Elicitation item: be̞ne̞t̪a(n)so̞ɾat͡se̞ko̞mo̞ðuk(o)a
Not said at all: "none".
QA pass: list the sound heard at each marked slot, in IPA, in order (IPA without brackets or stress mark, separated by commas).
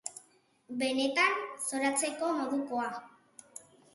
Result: n, o